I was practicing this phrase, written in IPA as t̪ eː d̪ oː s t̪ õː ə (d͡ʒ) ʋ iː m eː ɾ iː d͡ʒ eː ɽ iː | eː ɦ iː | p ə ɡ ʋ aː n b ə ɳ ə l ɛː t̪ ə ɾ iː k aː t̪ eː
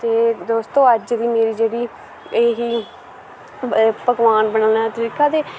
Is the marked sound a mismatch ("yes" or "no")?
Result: no